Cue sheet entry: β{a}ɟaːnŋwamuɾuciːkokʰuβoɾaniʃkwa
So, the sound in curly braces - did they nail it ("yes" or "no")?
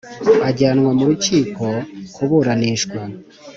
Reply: yes